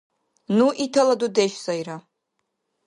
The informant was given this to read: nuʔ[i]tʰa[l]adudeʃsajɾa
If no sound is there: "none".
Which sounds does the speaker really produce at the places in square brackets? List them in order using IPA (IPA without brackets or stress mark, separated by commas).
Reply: i, l